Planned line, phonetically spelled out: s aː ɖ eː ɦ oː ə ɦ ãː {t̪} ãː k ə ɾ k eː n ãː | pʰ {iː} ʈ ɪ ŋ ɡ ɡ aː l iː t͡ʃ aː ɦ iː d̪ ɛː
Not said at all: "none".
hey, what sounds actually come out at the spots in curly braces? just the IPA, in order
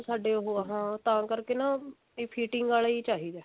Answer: t̪, iː

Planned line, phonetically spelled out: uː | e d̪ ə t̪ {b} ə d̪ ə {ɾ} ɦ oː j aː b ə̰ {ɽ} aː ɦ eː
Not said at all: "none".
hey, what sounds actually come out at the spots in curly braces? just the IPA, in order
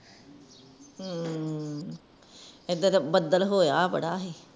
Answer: b, l, ɽ

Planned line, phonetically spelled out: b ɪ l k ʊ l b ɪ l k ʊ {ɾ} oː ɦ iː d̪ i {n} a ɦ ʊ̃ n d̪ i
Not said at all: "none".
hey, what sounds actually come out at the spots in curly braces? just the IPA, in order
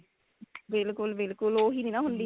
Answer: l, n

